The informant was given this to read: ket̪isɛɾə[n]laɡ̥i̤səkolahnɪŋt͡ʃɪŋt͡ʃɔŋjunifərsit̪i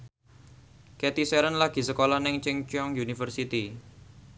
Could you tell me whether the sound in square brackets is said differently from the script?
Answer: no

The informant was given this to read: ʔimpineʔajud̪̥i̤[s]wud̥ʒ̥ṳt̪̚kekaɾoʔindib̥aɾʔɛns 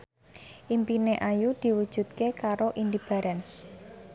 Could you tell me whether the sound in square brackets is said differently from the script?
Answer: yes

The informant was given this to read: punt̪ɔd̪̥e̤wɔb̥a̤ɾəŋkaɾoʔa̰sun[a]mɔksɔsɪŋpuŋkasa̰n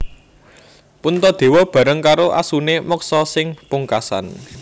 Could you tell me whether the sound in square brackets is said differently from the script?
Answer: yes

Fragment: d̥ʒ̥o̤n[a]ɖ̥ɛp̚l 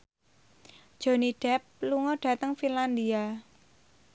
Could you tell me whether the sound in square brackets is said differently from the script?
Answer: yes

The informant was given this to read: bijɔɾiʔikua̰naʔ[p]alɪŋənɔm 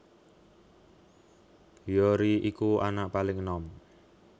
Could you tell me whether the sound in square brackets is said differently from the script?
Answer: no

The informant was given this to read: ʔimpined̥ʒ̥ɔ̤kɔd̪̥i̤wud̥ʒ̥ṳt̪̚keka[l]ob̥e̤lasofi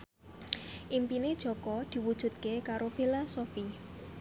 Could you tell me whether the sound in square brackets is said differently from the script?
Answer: yes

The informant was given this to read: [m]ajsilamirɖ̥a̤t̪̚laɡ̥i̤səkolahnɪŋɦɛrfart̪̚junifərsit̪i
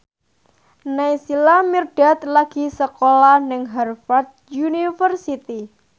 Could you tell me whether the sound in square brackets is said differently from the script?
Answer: yes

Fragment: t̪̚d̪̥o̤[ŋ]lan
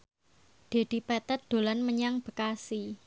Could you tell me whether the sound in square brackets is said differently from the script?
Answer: yes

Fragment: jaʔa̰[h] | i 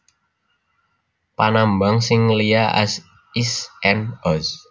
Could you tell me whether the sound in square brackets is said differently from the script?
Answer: yes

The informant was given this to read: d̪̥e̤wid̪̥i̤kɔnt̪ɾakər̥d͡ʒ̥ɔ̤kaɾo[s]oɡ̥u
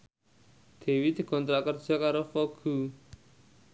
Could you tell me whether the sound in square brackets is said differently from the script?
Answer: yes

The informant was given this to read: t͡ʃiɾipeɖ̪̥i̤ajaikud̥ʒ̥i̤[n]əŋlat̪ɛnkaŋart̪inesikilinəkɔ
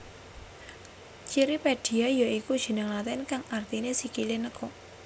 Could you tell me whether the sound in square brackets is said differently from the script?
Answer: no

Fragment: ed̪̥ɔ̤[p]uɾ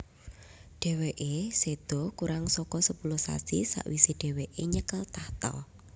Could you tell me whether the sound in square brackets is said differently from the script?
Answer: yes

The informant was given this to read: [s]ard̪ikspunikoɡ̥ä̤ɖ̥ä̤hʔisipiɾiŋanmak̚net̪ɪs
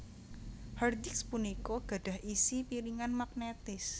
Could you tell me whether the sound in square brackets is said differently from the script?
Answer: yes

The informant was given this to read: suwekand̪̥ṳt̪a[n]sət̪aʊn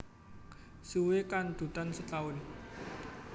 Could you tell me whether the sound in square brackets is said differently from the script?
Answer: no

